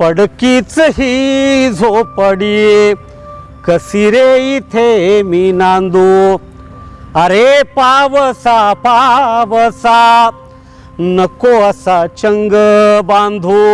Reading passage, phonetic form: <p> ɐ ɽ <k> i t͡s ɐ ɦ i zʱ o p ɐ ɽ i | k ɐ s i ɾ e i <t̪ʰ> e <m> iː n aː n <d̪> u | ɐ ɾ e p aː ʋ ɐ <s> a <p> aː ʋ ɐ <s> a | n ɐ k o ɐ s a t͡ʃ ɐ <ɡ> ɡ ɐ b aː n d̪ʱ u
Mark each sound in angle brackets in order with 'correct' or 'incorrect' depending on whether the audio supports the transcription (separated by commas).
correct, correct, correct, correct, correct, correct, correct, correct, incorrect